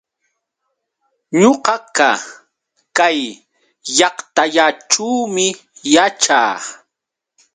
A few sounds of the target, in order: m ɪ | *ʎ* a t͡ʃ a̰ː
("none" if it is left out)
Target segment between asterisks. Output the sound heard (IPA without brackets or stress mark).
j